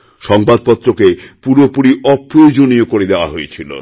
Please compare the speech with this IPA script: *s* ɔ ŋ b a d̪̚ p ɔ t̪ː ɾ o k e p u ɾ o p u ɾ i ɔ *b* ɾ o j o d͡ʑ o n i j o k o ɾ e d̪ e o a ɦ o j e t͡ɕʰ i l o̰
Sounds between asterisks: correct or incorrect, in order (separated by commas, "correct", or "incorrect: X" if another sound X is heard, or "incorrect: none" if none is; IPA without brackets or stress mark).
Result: incorrect: ʃ, incorrect: p